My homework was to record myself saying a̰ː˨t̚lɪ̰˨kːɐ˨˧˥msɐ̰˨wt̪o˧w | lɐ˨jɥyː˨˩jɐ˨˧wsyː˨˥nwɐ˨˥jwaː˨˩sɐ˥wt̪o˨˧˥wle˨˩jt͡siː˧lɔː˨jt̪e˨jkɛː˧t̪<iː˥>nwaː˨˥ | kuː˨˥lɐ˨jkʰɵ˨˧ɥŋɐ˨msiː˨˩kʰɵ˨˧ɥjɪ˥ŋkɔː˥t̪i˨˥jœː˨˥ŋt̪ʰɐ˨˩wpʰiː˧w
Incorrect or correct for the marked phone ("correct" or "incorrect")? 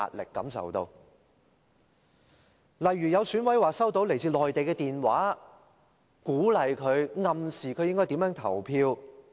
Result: incorrect